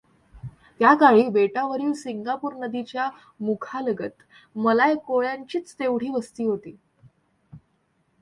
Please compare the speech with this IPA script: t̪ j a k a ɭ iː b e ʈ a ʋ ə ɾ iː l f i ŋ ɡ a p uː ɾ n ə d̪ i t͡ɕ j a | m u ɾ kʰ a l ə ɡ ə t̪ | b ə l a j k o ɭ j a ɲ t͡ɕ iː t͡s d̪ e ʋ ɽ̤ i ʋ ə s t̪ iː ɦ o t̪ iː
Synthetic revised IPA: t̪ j a k a ɭ iː b e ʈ a ʋ ə ɾ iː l s i ŋ ɡ a p uː ɾ n ə d̪ i t͡ɕ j a | m u kʰ a l ə ɡ ə t̪ | m ə l a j k o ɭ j a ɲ t͡ɕ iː t͡s t̪ e ʋ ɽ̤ iː ʋ ə s t̪ iː ɦ o t̪ iː